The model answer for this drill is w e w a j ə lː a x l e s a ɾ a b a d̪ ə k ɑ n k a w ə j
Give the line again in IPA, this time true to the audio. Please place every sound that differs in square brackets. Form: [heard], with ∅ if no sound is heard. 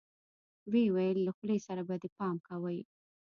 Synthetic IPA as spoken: w e w a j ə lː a x l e s a ɾ a b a d̪ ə [p] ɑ [m] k a w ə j

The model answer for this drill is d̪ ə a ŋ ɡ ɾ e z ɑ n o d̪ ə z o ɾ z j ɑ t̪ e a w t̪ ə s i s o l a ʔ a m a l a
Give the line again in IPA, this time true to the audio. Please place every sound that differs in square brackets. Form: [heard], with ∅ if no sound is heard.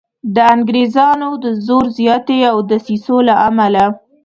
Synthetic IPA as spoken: d̪ ə a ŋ ɡ ɾ e z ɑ n o d̪ ə z o ɾ z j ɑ t̪ e a w [d̪] ə s i s o l a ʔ a m a l a

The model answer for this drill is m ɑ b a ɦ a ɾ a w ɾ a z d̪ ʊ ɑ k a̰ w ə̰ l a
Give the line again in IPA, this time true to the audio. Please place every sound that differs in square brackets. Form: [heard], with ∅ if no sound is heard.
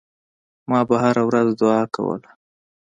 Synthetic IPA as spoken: m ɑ b a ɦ a ɾ a w ɾ a z d̪ ʊ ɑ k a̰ w ə̰ l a

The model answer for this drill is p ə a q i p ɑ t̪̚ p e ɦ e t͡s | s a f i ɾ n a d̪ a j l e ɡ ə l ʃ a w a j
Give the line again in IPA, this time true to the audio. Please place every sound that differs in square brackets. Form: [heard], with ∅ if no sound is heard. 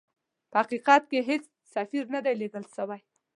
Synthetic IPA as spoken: p ə a q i [q] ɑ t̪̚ [k] e ɦ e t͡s | s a f i ɾ n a d̪ a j l e ɡ ə l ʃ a w a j

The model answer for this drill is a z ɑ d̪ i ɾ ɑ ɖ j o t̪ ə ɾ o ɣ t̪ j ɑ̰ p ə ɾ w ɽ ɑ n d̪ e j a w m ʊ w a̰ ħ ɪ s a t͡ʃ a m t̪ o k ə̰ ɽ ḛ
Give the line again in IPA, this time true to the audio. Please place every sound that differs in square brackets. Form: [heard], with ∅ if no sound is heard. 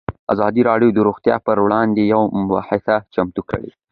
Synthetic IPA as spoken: a z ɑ d̪ i ɾ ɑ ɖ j o [d̪] ə ɾ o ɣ t̪ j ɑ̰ p ə ɾ w ɽ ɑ n d̪ e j a w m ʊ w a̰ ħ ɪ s a t͡ʃ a m t̪ [u] k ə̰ ɽ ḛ

